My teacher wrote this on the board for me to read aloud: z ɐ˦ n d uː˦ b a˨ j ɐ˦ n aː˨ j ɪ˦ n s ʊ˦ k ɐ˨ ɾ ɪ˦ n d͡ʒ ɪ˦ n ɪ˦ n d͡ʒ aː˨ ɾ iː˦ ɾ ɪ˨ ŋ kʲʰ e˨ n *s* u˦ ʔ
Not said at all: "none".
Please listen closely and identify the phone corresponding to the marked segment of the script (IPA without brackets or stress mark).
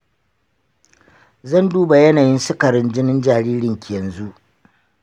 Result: z